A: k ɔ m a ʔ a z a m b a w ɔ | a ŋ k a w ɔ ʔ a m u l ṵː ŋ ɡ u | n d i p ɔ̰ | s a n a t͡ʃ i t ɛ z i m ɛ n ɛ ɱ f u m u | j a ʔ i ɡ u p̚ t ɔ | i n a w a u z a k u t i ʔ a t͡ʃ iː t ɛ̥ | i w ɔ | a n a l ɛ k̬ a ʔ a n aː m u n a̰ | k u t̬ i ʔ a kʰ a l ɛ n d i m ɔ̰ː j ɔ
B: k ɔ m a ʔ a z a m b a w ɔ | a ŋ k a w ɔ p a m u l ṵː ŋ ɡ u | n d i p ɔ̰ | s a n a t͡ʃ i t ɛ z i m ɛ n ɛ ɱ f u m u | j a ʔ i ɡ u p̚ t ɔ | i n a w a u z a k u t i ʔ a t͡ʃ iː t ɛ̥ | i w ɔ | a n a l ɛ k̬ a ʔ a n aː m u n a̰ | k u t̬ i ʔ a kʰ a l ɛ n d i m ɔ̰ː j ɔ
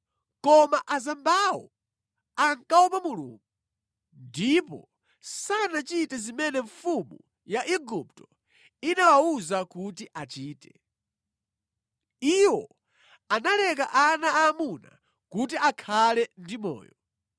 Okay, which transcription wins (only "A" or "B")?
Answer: B